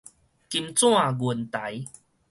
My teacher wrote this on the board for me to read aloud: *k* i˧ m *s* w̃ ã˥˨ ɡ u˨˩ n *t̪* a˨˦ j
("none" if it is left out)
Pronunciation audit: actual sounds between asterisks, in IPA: k, t͡s, t̪

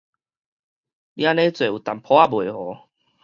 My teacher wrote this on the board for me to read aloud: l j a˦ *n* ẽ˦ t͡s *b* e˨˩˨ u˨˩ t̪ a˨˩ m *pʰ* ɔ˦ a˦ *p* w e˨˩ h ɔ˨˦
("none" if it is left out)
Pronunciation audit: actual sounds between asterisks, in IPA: n, w, pʰ, b

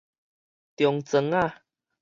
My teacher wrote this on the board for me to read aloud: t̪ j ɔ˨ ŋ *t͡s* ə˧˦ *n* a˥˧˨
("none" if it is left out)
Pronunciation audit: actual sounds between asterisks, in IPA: t͡s, ŋ

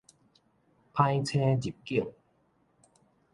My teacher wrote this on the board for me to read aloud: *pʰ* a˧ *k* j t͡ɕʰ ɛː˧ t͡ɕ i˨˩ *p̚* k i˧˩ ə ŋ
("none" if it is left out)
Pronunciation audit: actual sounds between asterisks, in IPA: pʰ, none, p̚

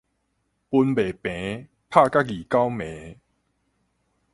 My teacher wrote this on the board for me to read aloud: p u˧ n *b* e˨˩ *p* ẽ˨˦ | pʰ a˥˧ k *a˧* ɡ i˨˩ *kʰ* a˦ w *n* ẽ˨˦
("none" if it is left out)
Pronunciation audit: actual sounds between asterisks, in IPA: b, p, a˦˥, k, m

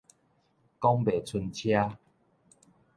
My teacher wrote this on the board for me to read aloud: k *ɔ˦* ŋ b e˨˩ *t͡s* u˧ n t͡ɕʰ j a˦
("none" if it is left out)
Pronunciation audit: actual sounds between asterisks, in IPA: ɔ˦, t͡sʰ

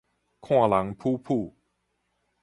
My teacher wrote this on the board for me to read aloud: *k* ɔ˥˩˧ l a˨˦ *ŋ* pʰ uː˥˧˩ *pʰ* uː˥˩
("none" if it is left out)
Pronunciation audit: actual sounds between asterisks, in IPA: kʰ, ŋ, pʰ

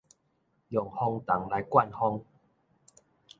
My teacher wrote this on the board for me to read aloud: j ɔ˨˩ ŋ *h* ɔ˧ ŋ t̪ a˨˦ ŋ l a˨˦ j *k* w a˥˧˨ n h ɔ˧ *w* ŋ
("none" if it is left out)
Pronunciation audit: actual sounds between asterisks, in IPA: h, k, none

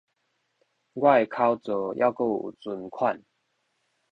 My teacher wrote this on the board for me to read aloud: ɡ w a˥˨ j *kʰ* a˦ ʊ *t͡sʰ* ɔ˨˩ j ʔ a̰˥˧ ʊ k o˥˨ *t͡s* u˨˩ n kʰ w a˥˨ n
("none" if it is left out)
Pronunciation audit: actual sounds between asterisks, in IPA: kʰ, t͡s, t͡s

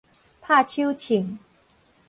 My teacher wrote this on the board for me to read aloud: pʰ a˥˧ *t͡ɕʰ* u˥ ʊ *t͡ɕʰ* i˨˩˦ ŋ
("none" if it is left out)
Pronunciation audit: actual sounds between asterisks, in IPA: t͡ɕʰ, t͡ɕʰ

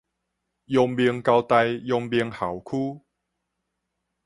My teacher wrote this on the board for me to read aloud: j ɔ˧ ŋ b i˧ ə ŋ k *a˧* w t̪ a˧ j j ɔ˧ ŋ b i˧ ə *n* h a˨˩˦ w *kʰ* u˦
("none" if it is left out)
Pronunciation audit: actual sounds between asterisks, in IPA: a˧, ŋ, kʰ

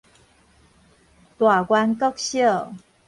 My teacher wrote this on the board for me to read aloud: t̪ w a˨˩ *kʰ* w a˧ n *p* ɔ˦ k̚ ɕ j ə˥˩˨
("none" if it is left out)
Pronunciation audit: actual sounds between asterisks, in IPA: k, k

